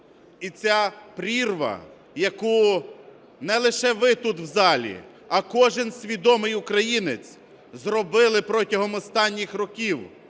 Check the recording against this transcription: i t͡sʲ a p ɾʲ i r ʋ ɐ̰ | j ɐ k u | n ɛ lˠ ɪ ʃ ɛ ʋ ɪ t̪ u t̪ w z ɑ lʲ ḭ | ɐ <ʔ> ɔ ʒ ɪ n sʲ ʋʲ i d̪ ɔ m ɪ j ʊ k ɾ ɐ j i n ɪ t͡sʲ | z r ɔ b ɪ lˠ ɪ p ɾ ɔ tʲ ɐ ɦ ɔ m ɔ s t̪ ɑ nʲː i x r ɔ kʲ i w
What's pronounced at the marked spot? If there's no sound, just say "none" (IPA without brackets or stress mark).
k